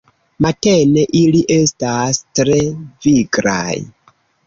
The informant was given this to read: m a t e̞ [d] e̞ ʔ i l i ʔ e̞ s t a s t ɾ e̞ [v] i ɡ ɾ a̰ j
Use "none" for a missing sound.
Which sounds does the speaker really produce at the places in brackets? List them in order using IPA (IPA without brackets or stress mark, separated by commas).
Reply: n, v